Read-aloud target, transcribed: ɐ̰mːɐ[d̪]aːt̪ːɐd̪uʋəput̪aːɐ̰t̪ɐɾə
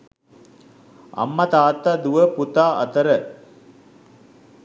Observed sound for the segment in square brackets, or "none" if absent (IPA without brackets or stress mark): t̪